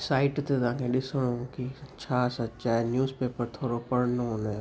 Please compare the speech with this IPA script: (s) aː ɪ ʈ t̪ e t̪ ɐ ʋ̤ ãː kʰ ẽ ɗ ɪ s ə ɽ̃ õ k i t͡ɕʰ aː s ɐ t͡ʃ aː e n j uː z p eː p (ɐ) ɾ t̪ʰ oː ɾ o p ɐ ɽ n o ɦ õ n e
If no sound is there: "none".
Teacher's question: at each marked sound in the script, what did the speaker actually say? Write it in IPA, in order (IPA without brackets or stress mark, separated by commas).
s, ə